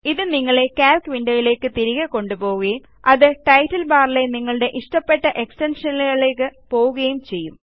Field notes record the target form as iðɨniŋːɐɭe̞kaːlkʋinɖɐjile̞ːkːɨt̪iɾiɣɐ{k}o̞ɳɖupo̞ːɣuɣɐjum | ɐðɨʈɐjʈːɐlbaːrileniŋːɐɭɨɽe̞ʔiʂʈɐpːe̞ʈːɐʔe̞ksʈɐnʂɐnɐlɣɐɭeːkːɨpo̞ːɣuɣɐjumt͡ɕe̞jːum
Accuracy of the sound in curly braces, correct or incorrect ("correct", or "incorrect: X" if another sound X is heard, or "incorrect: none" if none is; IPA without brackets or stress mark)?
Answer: correct